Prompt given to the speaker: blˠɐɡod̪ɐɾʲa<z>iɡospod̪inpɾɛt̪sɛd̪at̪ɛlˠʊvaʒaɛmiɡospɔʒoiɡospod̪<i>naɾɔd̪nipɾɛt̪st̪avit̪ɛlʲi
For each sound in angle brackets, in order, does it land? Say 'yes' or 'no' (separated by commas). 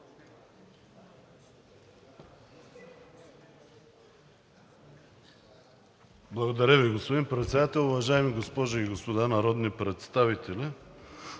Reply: no, no